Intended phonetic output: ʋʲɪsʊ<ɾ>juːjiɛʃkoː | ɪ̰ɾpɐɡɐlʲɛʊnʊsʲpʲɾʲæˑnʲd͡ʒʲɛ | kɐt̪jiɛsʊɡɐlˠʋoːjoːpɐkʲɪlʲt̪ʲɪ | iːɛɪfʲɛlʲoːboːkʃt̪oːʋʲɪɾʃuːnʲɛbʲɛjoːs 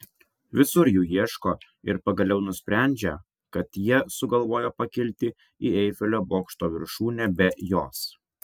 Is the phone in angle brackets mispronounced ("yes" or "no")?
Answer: no